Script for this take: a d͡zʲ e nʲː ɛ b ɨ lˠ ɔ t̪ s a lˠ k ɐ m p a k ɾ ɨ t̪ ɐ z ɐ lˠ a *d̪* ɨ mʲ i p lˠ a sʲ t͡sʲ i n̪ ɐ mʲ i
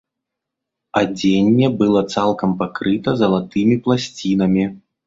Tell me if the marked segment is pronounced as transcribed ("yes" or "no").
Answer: no